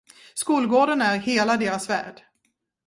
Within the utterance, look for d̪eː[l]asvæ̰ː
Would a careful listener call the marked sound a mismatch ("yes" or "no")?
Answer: yes